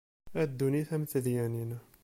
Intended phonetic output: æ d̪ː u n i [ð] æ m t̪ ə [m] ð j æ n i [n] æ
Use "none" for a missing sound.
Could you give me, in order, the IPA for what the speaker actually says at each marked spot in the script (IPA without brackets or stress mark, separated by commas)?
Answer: θ, none, n